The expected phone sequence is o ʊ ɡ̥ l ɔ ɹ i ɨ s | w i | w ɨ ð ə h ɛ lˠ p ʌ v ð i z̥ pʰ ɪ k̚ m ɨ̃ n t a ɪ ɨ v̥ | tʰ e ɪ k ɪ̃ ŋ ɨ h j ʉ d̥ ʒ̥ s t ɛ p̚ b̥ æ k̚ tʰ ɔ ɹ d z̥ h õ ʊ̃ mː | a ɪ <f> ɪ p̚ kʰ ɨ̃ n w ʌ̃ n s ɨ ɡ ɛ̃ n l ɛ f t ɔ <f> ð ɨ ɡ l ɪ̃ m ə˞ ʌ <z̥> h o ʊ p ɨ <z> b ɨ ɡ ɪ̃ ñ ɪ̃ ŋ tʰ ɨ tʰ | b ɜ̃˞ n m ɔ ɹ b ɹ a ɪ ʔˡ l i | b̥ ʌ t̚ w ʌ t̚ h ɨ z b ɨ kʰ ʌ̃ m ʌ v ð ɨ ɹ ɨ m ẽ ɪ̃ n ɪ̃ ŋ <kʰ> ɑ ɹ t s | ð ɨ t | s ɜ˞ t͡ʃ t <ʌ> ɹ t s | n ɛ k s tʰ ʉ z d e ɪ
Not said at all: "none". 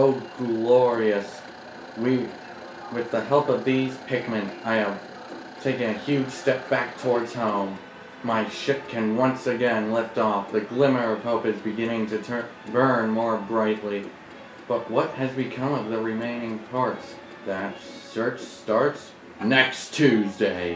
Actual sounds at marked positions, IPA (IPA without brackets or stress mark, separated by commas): ʃ, f, v̥, z, pʰ, ɑ